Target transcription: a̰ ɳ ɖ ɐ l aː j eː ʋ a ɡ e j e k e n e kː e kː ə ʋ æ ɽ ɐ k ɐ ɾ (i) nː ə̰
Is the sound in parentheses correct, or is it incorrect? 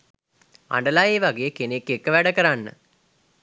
incorrect